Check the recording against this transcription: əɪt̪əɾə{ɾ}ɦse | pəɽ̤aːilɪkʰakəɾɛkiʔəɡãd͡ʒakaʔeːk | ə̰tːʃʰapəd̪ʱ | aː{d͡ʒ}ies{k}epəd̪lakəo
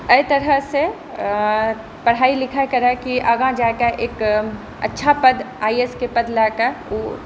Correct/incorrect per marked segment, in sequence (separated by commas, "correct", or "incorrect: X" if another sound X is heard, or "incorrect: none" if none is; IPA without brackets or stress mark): incorrect: none, incorrect: none, correct